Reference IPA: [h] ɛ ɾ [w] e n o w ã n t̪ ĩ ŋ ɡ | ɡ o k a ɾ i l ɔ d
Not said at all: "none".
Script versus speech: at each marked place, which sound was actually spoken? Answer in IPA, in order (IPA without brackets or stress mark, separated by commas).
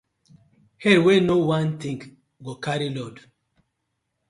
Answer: h, w